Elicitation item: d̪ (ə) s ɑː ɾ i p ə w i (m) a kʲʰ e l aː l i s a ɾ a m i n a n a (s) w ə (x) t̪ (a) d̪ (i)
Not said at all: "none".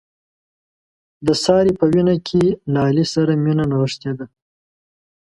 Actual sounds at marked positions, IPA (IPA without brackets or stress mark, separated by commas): ə, n, none, ʂ, e, a